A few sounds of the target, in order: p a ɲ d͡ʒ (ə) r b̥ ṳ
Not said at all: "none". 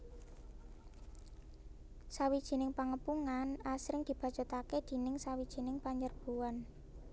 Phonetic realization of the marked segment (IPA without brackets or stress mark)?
ə